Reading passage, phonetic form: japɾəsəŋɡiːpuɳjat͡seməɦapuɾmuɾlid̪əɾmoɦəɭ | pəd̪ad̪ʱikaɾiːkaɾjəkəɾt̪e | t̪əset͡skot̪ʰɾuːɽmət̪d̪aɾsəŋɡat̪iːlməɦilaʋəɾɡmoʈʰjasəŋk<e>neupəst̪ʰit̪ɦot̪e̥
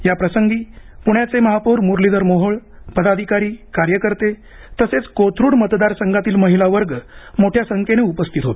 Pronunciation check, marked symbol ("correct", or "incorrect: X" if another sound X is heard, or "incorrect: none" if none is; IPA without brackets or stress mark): correct